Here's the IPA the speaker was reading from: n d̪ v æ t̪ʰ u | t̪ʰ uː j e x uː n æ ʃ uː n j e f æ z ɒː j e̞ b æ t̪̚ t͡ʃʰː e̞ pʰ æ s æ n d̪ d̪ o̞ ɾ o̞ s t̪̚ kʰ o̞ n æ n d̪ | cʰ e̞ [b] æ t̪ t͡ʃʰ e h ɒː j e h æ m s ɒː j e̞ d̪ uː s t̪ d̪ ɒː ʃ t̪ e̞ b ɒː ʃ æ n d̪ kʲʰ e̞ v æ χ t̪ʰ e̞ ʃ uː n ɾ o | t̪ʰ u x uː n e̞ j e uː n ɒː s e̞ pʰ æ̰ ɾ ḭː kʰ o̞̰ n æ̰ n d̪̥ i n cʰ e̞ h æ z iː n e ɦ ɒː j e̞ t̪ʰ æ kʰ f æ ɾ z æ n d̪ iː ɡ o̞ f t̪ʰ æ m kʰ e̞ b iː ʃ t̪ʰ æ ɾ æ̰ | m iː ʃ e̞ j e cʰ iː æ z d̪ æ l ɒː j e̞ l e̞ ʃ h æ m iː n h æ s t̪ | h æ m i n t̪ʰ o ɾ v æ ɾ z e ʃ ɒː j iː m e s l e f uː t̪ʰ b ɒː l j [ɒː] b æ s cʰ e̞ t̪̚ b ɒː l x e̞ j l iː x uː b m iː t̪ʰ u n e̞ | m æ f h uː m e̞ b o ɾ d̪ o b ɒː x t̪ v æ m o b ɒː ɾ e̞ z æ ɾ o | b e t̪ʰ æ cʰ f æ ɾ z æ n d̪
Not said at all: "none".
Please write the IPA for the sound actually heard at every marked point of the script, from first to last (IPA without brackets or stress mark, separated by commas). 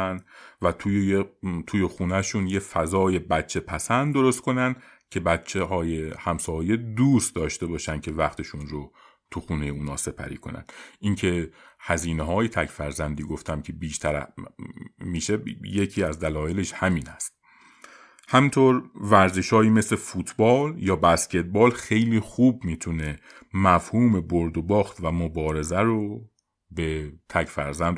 b, ɒː